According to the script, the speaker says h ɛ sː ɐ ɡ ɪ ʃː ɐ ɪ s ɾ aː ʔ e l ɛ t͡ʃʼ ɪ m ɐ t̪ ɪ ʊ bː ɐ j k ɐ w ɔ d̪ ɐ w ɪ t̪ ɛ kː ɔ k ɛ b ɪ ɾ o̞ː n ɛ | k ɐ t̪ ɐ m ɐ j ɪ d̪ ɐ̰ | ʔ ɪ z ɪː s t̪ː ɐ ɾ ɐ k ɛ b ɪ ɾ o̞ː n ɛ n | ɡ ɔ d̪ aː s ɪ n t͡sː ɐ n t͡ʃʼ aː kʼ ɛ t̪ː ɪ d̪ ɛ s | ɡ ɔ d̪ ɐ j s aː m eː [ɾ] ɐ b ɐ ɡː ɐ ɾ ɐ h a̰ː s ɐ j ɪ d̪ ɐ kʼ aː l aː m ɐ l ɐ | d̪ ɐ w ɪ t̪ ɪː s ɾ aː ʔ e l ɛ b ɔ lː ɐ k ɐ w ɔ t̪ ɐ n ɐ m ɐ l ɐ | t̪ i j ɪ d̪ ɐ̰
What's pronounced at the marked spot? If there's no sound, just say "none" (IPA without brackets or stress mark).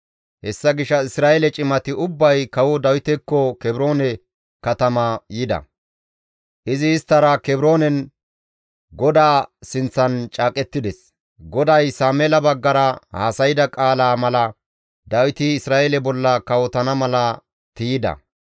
l